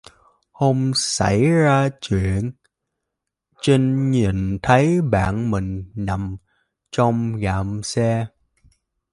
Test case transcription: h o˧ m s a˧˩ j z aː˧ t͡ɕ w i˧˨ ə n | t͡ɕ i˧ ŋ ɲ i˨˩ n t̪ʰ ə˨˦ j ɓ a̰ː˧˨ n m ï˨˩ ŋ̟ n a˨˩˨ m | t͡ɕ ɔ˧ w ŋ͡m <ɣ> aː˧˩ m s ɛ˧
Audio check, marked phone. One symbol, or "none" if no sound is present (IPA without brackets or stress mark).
ɣ